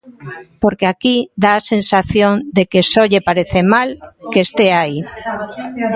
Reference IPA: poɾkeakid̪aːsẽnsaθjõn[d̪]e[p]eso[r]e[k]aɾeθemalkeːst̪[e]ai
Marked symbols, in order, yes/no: yes, no, no, no, yes

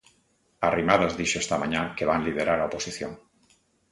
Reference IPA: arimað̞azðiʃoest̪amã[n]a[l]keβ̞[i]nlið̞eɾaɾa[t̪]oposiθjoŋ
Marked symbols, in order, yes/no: no, no, no, no

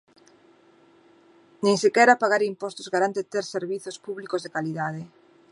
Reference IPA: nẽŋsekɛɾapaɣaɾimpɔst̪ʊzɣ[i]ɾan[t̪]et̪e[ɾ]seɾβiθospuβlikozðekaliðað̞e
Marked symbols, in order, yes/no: no, yes, yes

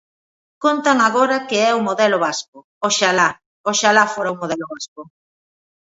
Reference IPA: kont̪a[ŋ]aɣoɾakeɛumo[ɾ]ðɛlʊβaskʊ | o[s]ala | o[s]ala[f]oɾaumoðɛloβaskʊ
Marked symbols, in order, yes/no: yes, no, no, no, yes

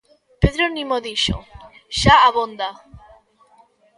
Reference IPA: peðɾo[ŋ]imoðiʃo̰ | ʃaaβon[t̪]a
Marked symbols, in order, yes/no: no, no

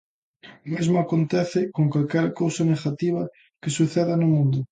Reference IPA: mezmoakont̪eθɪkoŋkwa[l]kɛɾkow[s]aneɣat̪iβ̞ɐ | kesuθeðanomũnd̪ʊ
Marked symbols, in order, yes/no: yes, yes

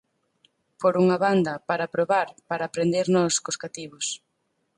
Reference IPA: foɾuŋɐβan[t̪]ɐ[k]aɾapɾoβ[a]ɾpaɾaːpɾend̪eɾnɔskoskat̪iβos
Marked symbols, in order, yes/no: no, no, yes

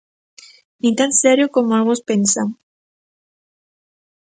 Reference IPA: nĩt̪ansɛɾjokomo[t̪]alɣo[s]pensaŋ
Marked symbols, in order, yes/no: no, yes

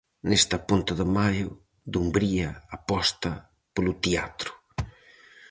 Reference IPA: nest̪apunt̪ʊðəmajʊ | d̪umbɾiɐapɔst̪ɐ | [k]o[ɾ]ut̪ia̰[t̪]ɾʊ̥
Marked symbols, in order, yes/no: no, no, yes

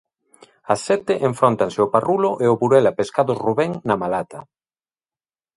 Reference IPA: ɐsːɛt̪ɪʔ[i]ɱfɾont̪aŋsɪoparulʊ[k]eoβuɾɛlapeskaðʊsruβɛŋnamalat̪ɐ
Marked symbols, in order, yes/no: no, no

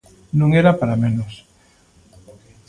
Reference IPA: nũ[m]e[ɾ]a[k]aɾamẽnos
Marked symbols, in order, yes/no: no, yes, no

